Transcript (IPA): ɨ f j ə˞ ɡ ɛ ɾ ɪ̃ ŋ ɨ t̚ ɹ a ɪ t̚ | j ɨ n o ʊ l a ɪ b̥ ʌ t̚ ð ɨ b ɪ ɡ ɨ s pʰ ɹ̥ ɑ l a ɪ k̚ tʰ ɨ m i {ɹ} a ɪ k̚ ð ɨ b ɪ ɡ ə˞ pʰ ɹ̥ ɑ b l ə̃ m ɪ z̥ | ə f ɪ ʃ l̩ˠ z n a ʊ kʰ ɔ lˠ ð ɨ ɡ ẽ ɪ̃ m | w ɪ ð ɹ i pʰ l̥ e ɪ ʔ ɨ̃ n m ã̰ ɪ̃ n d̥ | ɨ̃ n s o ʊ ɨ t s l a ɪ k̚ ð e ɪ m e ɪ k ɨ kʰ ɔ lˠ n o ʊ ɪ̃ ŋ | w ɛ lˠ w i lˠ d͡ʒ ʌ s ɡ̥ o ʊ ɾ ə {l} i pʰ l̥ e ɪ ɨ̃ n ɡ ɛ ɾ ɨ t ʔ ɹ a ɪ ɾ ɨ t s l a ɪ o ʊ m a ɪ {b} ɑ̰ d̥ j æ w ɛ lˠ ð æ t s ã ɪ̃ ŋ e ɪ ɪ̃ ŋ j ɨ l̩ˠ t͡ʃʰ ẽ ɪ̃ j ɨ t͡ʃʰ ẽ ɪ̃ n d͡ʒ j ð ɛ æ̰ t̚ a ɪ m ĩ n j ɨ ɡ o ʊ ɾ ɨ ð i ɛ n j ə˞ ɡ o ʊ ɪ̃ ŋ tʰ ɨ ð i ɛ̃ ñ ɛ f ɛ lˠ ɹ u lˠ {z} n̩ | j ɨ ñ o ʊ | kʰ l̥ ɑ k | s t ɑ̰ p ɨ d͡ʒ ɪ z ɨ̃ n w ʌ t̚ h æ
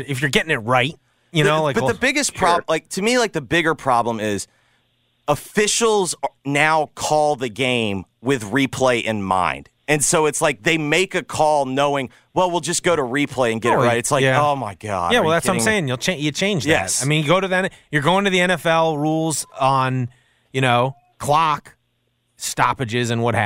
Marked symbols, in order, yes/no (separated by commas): no, no, no, yes